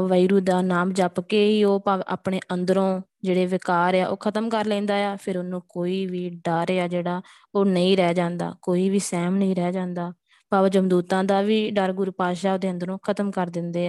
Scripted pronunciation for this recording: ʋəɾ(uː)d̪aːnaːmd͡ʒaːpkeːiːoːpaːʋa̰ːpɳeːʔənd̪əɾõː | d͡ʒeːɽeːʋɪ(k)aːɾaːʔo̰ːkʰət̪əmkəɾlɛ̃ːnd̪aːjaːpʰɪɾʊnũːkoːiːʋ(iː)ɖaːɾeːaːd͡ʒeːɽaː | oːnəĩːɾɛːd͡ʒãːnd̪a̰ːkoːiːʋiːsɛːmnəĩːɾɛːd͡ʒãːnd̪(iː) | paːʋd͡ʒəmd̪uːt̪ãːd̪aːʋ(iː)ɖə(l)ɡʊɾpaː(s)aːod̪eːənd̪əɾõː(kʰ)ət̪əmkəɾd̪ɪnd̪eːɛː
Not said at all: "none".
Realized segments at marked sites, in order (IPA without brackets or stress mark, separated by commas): uː, k, iː, aː, iː, ɾ, ʃ, kʰ